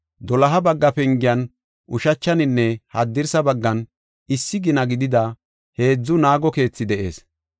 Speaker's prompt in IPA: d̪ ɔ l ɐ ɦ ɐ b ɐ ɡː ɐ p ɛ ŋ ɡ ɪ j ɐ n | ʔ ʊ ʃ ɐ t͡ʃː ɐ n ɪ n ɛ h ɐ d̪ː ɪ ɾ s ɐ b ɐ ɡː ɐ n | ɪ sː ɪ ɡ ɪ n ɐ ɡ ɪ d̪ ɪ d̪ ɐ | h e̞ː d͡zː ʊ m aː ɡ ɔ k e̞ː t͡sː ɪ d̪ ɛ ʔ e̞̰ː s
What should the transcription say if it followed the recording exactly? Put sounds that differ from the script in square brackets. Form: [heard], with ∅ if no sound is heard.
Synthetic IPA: d̪ ɔ l ɐ ɦ ɐ b ɐ ɡː ɐ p ɛ ŋ ɡ ɪ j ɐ n | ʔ ʊ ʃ ɐ t͡ʃː ɐ n ɪ [nː] ɛ h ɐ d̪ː ɪ ɾ s ɐ b ɐ ɡː ɐ n | ɪ sː ɪ ɡ ɪ n ɐ ɡ ɪ d̪ ɪ d̪ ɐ | h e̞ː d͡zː ʊ [n] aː ɡ ɔ k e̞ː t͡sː ɪ d̪ ɛ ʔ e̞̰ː s

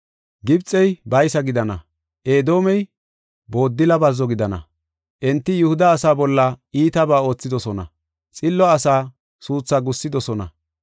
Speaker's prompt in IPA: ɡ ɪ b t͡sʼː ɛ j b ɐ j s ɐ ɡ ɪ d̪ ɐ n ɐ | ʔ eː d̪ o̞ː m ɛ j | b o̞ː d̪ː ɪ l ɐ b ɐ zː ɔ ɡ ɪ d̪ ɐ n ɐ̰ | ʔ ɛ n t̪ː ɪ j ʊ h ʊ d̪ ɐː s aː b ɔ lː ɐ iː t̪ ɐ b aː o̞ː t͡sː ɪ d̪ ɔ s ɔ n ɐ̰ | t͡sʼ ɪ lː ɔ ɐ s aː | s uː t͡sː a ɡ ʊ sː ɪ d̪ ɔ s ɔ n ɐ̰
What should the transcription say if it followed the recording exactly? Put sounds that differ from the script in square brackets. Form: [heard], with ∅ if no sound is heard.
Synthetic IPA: ɡ ɪ b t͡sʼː ɛ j b ɐ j s ɐ ɡ ɪ d̪ ɐ n ɐ | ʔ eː d̪ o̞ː m ɛ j | b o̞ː d̪ː ɪ l ɐ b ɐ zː ɔ ɡ ɪ d̪ ɐ n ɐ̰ | ʔ ɛ n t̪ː ɪ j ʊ h ʊ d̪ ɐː s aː b ɔ lː ɐ iː t̪ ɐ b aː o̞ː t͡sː ɪ d̪ ɔ s ɔ n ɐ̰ | t͡sʼ ɪ lː ɔ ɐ s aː | s uː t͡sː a ɡ ʊ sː ɪ d̪ ɔ s ɔ n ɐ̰

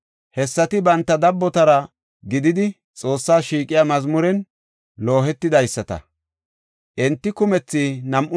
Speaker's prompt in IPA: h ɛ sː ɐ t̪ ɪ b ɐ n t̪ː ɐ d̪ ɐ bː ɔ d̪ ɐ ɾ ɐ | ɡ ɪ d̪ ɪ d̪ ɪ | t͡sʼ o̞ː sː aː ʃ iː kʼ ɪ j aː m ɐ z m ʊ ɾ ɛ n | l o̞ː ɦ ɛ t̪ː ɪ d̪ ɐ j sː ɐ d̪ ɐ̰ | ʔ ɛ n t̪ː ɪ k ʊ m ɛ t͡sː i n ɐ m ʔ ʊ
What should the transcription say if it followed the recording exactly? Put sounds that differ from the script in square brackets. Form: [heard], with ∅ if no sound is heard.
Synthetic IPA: h ɛ sː ɐ t̪ ɪ b ɐ n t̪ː ɐ d̪ ɐ bː ɔ [t̪] ɐ ɾ ɐ | ɡ ɪ d̪ ɪ d̪ ɪ | t͡sʼ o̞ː sː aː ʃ iː kʼ ɪ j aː m ɐ z m ʊ ɾ ɛ n | l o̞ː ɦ ɛ t̪ː ɪ d̪ ɐ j sː ɐ [t̪] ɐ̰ | ʔ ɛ n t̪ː ɪ k ʊ m ɛ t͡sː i n ɐ m ʔ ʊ

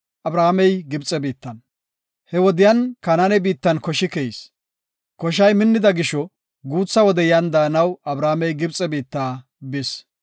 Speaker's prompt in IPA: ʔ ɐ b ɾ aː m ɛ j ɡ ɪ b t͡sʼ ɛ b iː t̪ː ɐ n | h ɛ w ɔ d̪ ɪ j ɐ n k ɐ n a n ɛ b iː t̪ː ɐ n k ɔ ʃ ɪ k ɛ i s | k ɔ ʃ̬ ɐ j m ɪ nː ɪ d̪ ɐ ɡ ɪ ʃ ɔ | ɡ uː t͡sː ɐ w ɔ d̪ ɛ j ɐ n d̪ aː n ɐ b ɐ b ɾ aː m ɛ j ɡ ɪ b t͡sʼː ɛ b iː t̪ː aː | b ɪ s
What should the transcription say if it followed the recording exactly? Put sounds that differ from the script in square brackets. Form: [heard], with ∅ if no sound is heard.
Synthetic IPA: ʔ ɐ b ɾ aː m ɛ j ɡ ɪ b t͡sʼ ɛ b iː t̪ː ɐ n | h ɛ w ɔ d̪ ɪ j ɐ n k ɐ n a n ɛ b iː t̪ː ɐ n k ɔ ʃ ɪ k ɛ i s | k ɔ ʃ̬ ɐ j m ɪ nː ɪ d̪ ɐ ɡ ɪ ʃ ɔ | ɡ uː t͡sː ɐ w ɔ d̪ ɛ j ɐ n d̪ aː n ɐ [w] ɐ b ɾ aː m ɛ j ɡ ɪ b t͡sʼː ɛ b iː t̪ː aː | b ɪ s

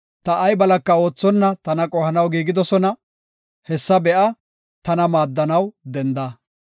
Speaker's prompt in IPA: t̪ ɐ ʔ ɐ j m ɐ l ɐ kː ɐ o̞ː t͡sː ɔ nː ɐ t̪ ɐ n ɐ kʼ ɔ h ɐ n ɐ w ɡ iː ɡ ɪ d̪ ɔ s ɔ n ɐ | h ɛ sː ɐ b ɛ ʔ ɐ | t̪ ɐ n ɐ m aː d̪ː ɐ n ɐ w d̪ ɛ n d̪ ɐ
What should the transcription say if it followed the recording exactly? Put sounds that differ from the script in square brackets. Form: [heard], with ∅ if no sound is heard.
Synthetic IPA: t̪ ɐ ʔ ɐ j [b] ɐ l ɐ kː ɐ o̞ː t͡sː ɔ nː ɐ t̪ ɐ n ɐ kʼ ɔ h ɐ n ɐ w ɡ iː ɡ ɪ d̪ ɔ s ɔ n ɐ | h ɛ sː ɐ b ɛ ʔ ɐ | t̪ ɐ n ɐ m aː d̪ː ɐ n ɐ w d̪ ɛ n d̪ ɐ

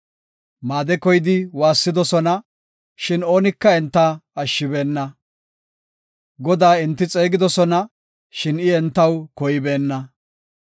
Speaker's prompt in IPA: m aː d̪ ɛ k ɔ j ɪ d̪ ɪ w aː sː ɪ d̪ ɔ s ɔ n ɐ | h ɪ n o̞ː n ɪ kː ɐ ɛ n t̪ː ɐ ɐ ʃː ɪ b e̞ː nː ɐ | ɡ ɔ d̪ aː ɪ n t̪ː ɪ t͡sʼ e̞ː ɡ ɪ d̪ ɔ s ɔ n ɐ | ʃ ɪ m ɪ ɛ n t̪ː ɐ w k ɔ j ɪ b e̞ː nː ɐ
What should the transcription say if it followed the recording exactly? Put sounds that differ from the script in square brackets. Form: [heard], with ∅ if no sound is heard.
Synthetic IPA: m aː d̪ ɛ k ɔ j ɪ d̪ ɪ w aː sː ɪ d̪ ɔ s ɔ n ɐ | [ʃ] ɪ n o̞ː n ɪ kː ɐ ɛ n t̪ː ɐ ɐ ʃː ɪ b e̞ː nː ɐ | ɡ ɔ d̪ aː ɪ n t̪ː ɪ t͡sʼ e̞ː ɡ ɪ d̪ ɔ s ɔ n ɐ | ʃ ɪ [n] ɪ ɛ n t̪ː ɐ w k ɔ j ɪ b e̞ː nː ɐ

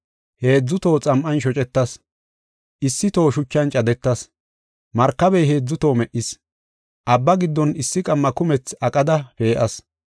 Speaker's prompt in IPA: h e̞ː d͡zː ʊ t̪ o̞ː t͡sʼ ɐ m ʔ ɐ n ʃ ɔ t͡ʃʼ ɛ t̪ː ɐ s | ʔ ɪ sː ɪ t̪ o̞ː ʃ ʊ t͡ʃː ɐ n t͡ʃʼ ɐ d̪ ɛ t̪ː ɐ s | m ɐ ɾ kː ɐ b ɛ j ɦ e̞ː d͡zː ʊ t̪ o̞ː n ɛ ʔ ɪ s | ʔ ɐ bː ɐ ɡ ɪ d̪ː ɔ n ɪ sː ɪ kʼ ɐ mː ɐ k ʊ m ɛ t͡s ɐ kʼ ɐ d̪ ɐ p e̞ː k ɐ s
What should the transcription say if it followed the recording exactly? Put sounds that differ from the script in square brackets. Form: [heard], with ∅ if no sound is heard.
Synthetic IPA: h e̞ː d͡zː ʊ t̪ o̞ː t͡sʼ ɐ m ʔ ɐ n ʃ ɔ t͡ʃʼ ɛ t̪ː ɐ s | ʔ ɪ sː ɪ t̪ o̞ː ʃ ʊ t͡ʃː ɐ n t͡ʃʼ ɐ d̪ ɛ t̪ː ɐ s | m ɐ ɾ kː ɐ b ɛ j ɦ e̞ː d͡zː ʊ t̪ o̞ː [m] ɛ ʔ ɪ s | ʔ ɐ bː ɐ ɡ ɪ d̪ː ɔ n ɪ sː ɪ kʼ ɐ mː ɐ k ʊ m ɛ t͡s ɐ kʼ ɐ d̪ ɐ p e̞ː [ʔ] ɐ s

